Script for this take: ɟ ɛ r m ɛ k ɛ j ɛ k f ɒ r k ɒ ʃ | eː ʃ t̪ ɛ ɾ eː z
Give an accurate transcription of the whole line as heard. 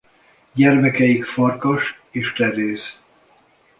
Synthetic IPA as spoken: ɟ ɛ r m ɛ k ɛ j i k f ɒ r k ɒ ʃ | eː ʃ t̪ ɛ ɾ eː z